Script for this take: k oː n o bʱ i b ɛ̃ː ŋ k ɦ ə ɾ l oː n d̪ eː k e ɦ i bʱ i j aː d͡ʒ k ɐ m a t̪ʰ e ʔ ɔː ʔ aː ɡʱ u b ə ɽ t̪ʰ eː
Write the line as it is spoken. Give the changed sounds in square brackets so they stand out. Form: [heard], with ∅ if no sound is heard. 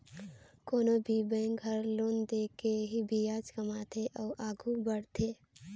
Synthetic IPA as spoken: k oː n o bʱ i b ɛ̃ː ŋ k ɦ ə ɾ l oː n d̪ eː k e ɦ i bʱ i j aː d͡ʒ k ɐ m a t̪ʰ e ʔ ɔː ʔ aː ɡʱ u b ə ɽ t̪ʰ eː